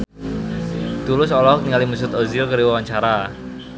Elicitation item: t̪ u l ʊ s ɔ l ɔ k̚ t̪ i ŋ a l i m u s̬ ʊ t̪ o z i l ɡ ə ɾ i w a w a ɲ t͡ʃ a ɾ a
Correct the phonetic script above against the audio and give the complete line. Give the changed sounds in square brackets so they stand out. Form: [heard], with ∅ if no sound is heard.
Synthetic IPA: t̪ u l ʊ s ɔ l ɔ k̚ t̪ i ŋ a l i m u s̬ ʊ t̪ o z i l [k] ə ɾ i w a w a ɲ t͡ʃ a ɾ a